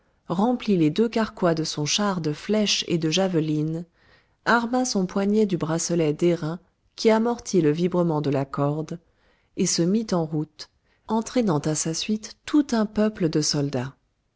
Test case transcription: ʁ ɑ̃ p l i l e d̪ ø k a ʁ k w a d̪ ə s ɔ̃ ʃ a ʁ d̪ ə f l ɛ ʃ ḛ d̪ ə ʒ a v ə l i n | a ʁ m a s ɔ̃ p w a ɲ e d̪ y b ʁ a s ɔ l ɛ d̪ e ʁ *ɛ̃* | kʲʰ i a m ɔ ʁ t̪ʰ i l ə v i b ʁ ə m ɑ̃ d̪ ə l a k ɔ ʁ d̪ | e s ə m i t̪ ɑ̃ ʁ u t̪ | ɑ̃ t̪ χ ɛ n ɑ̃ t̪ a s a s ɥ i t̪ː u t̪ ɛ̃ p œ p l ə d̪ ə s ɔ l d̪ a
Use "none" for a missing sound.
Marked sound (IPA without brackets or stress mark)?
ɛ̃